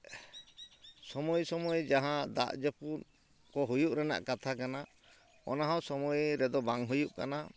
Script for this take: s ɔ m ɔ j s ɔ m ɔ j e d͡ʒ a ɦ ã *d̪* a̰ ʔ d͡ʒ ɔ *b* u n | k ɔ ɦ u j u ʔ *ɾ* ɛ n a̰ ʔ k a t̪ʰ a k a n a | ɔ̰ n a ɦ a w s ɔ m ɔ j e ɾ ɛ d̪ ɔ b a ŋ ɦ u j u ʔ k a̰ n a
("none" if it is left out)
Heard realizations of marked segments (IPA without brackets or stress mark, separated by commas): d̪, p, ɾ